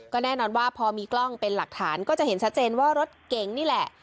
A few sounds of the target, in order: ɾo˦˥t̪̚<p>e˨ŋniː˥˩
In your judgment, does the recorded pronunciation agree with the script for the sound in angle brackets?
no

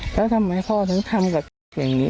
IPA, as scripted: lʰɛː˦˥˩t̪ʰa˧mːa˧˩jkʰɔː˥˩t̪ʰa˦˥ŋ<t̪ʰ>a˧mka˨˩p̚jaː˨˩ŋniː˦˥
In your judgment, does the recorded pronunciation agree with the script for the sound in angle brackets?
yes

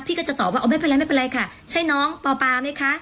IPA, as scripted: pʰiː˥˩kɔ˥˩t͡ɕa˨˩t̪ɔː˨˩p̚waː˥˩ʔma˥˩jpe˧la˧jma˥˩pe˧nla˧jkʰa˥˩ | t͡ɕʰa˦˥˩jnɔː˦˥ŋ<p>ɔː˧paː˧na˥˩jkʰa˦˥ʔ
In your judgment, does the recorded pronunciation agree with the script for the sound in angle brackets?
yes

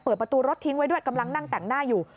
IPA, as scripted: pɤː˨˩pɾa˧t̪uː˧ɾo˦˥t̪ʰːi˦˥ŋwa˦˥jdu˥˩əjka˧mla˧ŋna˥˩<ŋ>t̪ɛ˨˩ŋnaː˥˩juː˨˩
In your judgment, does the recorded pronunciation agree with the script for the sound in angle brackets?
yes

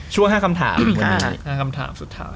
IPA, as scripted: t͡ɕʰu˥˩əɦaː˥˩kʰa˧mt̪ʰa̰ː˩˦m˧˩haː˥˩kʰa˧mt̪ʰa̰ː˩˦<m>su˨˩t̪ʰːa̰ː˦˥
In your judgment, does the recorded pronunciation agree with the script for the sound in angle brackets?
yes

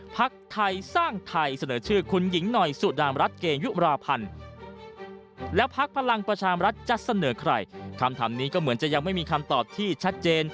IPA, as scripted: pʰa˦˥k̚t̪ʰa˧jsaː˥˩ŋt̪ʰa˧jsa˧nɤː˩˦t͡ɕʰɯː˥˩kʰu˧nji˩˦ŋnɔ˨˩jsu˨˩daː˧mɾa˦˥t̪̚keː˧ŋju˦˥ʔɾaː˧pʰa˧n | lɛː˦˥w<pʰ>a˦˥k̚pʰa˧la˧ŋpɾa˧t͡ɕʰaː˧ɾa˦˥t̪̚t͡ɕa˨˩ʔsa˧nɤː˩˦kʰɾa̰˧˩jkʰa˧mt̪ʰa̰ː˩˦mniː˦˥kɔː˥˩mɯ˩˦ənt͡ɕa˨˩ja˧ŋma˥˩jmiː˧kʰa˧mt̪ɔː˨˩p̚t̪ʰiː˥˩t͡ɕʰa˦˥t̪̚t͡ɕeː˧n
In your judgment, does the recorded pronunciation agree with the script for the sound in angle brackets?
yes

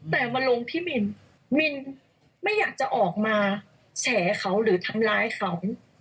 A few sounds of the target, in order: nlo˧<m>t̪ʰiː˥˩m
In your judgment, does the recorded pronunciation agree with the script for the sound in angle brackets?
no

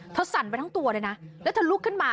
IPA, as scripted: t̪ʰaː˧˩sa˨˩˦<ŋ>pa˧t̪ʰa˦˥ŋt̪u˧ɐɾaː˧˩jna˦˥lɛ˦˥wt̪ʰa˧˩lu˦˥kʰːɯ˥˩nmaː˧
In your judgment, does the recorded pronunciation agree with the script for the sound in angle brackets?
no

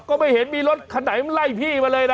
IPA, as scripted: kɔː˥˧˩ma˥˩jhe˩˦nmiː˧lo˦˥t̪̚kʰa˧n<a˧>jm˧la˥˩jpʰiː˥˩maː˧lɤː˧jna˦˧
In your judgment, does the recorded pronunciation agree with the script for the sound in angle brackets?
no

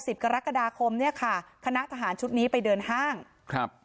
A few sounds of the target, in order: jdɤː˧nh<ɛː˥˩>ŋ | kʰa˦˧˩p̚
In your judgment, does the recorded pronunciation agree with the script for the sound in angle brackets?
no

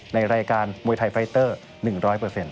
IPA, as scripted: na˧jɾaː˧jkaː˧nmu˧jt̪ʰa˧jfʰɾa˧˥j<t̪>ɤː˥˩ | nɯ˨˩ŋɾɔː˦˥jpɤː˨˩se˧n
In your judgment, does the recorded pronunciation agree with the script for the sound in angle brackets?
yes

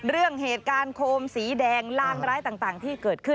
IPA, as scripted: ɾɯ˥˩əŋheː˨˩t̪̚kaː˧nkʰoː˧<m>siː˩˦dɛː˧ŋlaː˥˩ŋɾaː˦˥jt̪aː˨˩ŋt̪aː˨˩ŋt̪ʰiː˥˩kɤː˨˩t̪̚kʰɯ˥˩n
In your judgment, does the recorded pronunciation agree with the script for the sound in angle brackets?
yes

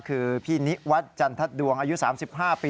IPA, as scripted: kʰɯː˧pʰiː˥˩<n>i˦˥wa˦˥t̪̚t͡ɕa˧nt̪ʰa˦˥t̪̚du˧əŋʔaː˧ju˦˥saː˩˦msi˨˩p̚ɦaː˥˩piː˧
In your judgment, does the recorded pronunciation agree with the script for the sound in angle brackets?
yes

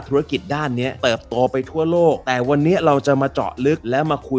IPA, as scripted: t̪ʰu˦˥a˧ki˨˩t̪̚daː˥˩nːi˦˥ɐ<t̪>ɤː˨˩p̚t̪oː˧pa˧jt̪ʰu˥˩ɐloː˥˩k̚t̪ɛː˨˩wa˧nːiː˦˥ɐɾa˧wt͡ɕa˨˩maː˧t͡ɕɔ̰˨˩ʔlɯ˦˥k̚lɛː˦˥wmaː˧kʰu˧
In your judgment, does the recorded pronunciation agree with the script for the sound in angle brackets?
yes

